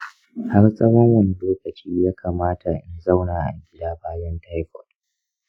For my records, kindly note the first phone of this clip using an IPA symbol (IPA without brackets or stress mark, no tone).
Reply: h